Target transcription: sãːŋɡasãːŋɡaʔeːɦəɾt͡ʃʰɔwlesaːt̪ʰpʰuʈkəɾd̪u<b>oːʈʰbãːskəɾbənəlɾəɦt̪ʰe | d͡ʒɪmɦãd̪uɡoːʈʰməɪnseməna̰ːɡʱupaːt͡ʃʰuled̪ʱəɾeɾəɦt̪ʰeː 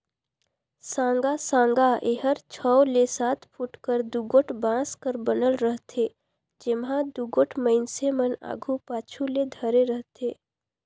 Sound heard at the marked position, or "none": ɡ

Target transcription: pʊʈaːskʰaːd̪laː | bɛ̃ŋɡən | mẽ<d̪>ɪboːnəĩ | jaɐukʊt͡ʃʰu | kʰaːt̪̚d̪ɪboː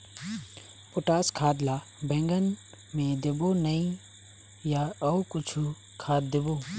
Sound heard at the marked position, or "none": d̪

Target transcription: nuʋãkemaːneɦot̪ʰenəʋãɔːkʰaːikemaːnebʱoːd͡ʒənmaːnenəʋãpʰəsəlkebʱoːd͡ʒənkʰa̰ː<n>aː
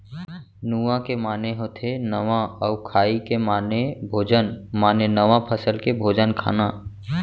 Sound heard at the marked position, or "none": n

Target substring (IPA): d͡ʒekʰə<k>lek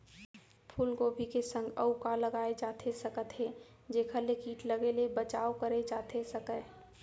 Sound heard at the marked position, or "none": none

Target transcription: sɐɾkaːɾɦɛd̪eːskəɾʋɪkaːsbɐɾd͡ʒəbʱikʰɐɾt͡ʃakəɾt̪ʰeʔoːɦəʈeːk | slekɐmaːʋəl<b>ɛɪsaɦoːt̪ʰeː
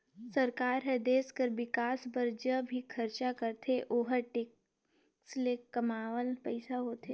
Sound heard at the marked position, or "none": p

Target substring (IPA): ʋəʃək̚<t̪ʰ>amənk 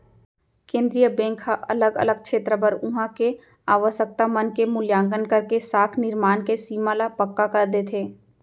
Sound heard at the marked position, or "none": t̪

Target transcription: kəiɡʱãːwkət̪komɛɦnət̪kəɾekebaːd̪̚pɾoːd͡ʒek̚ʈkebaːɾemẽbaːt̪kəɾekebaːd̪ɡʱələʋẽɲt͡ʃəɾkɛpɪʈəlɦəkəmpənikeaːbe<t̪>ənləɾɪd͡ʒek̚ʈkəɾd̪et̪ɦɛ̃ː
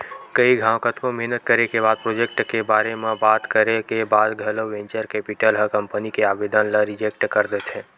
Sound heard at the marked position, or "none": d̪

